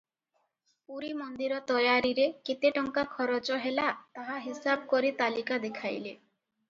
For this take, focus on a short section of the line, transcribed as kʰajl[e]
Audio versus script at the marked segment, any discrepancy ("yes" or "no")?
no